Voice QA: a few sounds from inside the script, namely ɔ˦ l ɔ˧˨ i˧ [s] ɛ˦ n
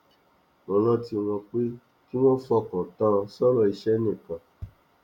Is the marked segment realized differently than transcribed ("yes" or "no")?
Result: yes